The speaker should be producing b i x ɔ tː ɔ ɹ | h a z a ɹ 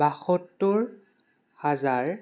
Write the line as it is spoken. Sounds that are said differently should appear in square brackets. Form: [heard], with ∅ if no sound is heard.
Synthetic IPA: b [a] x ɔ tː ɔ ɹ | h a z a ɹ